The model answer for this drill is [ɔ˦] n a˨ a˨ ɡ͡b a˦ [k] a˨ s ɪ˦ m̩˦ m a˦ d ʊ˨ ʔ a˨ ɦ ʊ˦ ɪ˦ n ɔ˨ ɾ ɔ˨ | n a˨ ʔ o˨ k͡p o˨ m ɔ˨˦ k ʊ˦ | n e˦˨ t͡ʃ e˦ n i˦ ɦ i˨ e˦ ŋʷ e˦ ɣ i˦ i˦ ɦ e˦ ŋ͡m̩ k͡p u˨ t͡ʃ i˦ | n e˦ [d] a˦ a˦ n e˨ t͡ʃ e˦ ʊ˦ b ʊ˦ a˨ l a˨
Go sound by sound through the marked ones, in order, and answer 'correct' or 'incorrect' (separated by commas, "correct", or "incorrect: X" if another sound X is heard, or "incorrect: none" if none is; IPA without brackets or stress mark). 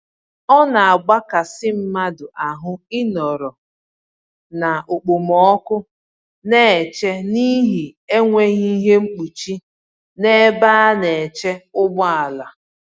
correct, correct, incorrect: b